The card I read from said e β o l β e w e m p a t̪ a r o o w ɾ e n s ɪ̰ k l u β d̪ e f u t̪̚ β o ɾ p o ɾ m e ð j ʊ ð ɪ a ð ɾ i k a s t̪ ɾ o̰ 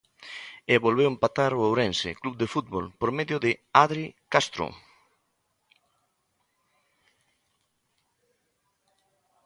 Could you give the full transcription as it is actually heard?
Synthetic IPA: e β o l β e w e m p a t̪ a ɾ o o w ɾ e n s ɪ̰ k l u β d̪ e f u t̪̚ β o l p o ɾ m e ð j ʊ ð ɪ a ð ɾ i k a s t̪ ɾ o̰